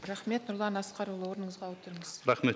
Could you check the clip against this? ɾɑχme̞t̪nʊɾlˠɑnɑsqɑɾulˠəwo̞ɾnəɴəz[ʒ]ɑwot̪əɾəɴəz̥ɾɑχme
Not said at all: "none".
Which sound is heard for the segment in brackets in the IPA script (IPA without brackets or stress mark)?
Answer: ʁ